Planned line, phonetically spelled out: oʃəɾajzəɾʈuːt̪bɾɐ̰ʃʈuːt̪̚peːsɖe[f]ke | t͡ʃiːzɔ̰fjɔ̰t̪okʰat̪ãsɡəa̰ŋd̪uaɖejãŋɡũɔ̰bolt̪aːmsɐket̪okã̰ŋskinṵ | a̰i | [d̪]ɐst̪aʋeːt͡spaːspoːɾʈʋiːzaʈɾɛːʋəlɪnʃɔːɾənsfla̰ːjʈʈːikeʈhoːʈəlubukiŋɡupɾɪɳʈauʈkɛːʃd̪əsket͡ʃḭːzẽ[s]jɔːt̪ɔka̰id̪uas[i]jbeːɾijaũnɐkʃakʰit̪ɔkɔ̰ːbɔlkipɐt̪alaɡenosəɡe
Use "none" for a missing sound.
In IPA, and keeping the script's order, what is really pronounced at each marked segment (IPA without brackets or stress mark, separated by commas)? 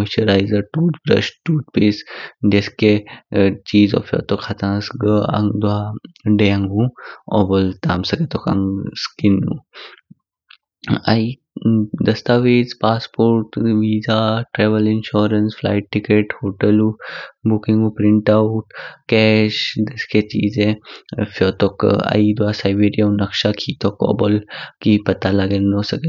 s, d̪, f, a